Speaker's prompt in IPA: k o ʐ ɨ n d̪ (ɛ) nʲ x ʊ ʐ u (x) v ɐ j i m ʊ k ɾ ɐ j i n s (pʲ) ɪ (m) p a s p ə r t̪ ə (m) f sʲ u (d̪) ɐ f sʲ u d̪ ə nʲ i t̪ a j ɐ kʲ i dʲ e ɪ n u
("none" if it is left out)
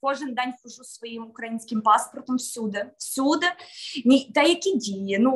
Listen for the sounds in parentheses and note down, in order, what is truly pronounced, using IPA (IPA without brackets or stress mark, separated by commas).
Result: a, s, kʲ, m, m, d̪